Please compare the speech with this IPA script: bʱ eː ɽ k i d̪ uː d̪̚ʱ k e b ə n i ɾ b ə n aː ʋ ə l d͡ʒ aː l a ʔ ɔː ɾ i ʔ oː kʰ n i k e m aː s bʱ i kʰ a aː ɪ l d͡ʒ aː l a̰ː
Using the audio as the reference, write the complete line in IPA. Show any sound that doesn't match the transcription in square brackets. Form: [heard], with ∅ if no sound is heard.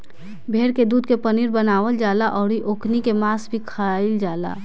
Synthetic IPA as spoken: bʱ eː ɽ k [e] d̪ uː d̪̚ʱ k e [p] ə n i ɾ b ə n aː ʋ ə l d͡ʒ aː l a ʔ ɔː ɾ i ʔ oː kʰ n i k e m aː s bʱ i kʰ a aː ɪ l d͡ʒ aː l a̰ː